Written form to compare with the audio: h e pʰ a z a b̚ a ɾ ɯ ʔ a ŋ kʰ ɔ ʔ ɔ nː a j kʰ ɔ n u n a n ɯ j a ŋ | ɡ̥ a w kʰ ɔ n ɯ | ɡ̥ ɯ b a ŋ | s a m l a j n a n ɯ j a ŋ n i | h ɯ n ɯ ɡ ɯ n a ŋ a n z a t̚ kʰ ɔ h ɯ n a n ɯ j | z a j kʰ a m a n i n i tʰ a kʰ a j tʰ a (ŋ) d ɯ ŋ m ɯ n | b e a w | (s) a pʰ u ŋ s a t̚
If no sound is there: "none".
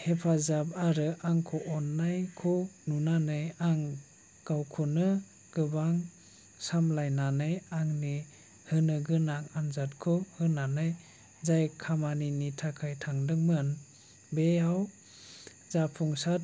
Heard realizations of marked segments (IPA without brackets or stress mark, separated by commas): ŋ, z